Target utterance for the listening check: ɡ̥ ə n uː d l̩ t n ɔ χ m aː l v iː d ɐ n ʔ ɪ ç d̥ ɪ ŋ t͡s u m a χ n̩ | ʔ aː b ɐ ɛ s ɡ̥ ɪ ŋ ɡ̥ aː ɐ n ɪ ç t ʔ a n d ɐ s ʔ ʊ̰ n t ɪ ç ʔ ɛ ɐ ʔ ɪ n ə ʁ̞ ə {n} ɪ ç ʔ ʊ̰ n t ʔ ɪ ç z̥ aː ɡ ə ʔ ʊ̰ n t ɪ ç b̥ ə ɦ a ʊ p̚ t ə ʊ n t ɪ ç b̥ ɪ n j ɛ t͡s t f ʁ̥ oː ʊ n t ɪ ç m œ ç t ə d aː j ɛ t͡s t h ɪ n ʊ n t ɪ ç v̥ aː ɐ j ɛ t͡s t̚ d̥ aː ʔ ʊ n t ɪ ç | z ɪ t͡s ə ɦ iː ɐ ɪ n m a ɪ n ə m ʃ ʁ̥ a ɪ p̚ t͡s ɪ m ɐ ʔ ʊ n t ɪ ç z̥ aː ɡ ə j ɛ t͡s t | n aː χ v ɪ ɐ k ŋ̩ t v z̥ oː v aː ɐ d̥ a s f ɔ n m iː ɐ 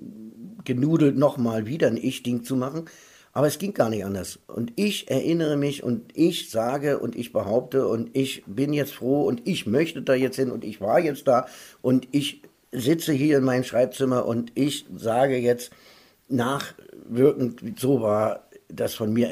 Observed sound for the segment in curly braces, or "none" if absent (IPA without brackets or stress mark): m